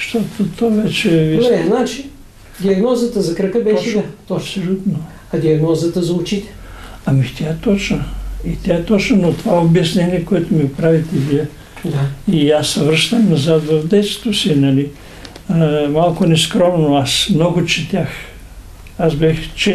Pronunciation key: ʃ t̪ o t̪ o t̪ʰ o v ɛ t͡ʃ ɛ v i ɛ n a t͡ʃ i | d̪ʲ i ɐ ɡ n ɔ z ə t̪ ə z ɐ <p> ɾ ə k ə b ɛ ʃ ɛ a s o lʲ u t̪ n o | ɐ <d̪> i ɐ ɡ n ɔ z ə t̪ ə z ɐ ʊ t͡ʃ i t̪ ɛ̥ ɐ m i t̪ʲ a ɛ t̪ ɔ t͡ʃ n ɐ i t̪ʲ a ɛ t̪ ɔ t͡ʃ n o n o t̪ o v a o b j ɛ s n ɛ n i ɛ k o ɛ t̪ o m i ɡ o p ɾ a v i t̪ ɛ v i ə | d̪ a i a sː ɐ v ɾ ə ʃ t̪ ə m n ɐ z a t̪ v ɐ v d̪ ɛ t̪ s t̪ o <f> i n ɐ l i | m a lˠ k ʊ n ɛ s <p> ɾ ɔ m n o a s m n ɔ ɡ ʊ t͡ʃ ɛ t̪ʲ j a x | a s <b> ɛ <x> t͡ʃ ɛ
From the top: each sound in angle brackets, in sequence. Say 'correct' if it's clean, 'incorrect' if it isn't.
incorrect: k, correct, incorrect: s, incorrect: k, correct, correct

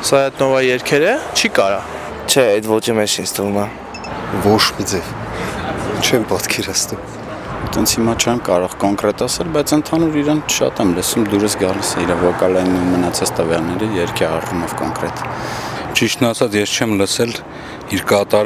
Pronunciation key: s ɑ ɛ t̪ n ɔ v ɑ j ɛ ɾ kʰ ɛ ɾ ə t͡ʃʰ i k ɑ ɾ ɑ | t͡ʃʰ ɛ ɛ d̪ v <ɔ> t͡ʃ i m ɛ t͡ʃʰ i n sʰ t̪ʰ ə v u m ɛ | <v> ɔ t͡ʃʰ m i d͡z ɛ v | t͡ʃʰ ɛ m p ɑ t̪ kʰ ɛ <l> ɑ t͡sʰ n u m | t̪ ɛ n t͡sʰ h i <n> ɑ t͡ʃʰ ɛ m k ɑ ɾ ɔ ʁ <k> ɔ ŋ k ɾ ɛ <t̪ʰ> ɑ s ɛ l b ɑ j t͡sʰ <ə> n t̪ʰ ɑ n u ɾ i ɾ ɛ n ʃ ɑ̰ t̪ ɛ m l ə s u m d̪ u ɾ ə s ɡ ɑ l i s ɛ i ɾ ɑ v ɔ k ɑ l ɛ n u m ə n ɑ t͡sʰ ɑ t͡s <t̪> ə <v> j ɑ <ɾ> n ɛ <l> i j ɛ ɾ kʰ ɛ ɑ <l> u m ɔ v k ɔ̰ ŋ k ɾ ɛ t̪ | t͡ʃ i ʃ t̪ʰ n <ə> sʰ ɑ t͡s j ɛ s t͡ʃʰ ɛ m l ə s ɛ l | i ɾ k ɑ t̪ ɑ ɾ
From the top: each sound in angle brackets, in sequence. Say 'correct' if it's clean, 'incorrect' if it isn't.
correct, correct, incorrect: ɾ, incorrect: m, correct, incorrect: t̪, correct, correct, correct, incorrect: l, incorrect: ɾ, incorrect: r, incorrect: ɑ

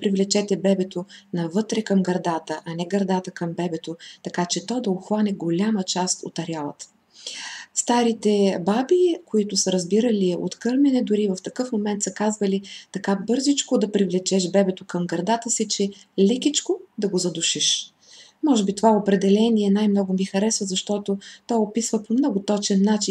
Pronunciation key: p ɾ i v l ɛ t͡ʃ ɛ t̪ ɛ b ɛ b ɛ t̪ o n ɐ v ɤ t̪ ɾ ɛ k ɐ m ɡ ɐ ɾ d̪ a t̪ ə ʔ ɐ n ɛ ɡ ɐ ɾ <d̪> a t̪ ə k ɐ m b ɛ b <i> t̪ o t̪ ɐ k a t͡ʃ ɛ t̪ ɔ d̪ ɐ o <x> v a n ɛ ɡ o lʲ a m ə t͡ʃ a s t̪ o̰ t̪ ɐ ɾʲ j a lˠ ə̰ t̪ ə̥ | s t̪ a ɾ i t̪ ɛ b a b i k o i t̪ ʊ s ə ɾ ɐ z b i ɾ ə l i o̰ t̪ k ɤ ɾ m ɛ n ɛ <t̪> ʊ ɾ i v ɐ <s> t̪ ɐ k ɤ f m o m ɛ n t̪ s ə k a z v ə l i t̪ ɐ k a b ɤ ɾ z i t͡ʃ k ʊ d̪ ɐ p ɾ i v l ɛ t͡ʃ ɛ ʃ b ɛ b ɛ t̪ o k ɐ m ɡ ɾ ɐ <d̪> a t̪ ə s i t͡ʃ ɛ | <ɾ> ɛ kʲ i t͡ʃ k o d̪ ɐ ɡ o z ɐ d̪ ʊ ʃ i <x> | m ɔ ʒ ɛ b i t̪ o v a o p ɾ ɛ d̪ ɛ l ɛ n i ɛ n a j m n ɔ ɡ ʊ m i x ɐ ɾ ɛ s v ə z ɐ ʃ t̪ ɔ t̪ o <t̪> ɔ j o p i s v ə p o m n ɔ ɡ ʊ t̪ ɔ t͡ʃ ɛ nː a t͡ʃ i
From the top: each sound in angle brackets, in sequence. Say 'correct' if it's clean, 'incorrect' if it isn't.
correct, incorrect: ɛ, correct, incorrect: d̪, incorrect: f, correct, incorrect: l, incorrect: ʃ, correct

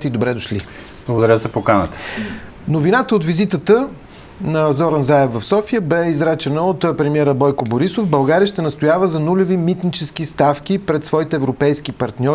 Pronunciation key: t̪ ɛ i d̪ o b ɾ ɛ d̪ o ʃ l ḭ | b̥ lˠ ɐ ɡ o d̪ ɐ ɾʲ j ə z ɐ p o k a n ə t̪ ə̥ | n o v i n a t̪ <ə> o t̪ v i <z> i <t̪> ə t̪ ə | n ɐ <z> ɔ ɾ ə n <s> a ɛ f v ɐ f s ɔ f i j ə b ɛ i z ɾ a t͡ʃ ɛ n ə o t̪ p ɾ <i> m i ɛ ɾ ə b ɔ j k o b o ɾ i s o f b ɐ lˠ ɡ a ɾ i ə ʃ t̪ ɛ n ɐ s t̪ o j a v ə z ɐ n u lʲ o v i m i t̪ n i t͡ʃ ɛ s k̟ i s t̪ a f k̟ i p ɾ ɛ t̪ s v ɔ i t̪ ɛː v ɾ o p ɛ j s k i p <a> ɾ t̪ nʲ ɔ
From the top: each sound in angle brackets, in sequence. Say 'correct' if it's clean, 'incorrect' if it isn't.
correct, correct, correct, correct, incorrect: z, incorrect: ɛ, incorrect: ɐ

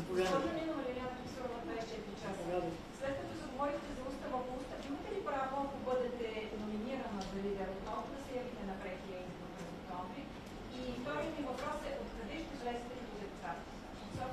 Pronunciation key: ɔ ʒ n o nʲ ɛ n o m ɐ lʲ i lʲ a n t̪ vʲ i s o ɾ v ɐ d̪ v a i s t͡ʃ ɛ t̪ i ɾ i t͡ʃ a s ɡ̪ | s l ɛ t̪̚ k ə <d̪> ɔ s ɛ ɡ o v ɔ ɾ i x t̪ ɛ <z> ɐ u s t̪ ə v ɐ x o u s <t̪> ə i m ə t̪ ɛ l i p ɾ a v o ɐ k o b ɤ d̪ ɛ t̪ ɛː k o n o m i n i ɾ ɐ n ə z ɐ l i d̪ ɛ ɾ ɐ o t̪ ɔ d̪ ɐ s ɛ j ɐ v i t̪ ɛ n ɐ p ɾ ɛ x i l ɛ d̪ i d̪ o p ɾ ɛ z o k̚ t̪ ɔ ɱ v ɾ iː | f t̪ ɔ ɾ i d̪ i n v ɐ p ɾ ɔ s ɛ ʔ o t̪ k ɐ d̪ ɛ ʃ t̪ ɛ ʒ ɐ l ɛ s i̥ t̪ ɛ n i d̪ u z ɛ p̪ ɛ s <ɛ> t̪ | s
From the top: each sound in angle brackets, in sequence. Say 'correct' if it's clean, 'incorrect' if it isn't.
incorrect: t̪, correct, correct, incorrect: a

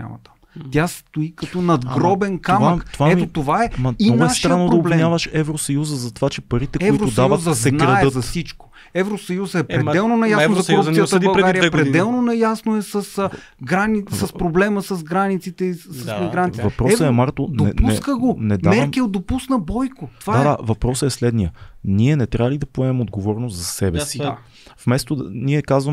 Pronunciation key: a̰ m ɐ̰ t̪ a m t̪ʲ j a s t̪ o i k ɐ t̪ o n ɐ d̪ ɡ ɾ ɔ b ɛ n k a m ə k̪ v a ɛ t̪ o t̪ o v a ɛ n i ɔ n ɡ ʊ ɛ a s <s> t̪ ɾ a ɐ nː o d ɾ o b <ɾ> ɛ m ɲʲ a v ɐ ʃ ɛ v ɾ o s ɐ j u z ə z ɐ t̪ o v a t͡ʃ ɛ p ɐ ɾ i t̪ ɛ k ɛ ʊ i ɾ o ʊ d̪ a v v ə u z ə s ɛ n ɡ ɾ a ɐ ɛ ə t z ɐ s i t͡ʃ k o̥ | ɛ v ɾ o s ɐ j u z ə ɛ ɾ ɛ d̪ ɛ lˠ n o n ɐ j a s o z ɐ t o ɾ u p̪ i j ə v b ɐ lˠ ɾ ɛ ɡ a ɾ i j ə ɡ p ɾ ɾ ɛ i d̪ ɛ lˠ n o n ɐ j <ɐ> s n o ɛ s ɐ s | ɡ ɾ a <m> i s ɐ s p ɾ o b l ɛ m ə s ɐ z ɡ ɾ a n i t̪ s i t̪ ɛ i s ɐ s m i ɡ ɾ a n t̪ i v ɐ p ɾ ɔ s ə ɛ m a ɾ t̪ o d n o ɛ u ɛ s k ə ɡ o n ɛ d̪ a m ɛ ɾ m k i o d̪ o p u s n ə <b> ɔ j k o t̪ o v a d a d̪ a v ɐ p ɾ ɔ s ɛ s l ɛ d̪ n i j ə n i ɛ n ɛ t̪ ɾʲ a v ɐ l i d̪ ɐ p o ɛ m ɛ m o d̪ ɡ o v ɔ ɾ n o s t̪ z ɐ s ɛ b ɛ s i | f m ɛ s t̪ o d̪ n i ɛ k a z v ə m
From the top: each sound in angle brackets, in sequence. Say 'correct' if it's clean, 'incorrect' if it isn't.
incorrect: ʃ, incorrect: l, incorrect: a, incorrect: n, correct

